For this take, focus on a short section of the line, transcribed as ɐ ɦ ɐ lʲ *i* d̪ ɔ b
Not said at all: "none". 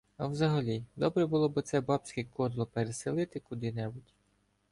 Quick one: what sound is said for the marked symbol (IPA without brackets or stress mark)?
i